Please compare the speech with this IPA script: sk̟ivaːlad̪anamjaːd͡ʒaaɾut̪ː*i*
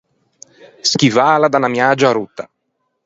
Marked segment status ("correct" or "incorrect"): incorrect